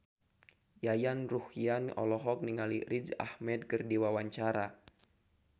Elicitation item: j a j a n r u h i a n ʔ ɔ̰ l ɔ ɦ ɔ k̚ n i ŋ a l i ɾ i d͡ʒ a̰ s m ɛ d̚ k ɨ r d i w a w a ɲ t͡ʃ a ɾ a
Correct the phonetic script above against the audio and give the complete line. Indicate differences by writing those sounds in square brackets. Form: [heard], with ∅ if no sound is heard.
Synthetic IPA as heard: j a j a n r u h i a n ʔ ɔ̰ l ɔ ɦ ɔ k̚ n i ŋ a l i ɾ i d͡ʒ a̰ [h] m ɛ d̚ k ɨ r d i w a w a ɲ t͡ʃ a ɾ a